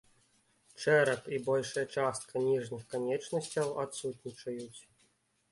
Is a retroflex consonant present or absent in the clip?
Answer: present